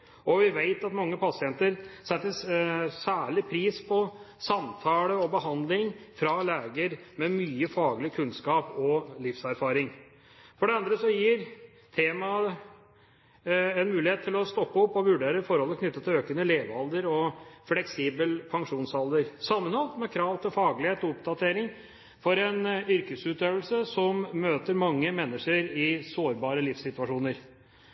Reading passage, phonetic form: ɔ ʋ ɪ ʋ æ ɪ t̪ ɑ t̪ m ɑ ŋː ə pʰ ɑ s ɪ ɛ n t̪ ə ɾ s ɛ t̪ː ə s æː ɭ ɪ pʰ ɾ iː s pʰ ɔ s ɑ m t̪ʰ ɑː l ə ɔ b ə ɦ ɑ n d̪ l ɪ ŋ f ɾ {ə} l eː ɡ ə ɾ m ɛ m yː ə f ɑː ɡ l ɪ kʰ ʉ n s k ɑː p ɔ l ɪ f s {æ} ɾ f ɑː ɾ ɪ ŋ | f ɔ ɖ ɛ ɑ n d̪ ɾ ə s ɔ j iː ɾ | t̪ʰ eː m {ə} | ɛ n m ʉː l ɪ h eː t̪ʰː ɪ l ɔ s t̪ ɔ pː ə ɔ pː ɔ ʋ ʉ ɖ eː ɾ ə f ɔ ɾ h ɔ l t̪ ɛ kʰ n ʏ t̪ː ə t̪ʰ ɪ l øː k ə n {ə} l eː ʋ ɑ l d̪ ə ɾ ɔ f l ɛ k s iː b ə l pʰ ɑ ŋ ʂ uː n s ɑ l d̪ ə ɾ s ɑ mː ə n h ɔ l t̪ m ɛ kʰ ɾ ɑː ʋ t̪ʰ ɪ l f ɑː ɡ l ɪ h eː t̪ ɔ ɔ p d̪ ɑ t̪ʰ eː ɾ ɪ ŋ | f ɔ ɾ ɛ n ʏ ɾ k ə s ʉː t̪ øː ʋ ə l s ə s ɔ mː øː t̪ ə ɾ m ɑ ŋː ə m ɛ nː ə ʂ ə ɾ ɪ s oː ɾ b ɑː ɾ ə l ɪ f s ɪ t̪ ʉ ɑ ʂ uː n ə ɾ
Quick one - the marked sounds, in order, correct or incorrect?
incorrect, correct, incorrect, correct

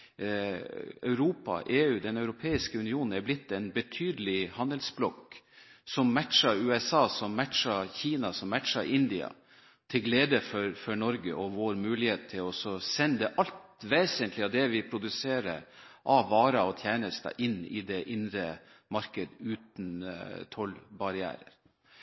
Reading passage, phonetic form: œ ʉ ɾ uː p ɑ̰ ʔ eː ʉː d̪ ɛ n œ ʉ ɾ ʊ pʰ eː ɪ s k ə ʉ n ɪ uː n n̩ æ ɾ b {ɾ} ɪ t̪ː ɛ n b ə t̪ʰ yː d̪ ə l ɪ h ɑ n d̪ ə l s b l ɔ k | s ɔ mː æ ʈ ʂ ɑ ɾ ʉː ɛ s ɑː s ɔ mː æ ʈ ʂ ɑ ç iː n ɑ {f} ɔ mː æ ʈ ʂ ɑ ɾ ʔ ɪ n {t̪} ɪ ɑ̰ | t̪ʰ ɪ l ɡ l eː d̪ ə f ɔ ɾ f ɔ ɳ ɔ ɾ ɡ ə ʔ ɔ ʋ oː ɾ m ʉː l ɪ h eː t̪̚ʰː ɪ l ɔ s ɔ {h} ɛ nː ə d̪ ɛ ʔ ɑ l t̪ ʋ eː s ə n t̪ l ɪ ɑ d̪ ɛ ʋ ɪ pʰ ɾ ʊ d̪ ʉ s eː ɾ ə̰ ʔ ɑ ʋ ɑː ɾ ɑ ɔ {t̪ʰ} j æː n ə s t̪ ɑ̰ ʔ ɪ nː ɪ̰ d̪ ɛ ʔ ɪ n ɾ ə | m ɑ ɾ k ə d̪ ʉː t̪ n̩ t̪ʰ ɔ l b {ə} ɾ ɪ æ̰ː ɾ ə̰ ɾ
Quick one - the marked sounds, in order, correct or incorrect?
incorrect, incorrect, incorrect, incorrect, correct, incorrect

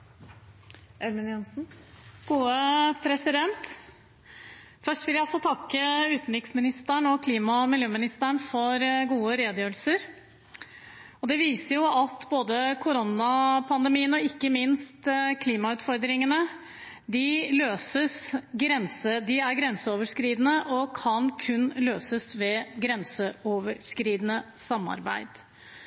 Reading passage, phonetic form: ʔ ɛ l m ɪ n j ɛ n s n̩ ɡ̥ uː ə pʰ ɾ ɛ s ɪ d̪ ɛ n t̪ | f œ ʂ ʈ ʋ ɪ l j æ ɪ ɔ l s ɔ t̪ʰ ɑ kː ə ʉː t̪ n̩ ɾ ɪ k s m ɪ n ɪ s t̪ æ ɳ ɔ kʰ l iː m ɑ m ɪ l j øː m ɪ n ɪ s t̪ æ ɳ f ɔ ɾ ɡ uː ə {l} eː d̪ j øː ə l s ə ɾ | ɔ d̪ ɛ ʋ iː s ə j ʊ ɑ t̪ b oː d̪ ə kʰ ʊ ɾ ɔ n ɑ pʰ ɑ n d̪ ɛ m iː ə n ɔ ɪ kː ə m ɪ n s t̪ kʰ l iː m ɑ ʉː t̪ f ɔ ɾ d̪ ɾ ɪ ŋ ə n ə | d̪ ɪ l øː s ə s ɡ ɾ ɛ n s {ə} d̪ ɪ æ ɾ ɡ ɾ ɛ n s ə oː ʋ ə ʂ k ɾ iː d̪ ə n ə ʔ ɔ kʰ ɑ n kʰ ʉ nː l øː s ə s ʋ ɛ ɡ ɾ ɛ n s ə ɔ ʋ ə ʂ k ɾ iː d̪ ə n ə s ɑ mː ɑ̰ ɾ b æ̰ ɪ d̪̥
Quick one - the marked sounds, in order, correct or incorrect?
incorrect, correct

